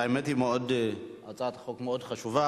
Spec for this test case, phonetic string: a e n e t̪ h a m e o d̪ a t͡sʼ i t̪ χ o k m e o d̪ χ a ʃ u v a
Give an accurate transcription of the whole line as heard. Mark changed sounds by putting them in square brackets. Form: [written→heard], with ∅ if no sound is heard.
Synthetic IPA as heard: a e [n→m] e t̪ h [a→i] m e o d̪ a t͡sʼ [i→a] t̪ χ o k m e o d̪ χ a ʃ u v a